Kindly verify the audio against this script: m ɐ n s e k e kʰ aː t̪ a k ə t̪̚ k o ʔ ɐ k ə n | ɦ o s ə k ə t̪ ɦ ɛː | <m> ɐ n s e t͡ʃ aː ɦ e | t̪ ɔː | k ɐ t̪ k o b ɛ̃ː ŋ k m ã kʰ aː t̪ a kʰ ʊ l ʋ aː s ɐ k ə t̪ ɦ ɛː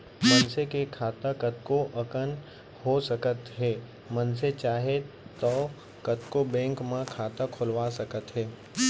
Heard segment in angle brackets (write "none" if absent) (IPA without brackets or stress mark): m